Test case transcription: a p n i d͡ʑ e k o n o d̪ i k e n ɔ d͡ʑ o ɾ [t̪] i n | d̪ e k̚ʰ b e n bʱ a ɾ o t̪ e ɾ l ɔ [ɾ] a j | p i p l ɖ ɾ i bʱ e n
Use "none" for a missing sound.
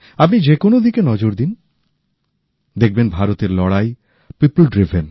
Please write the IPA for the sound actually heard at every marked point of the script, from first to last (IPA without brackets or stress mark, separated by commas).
d̪, ɽ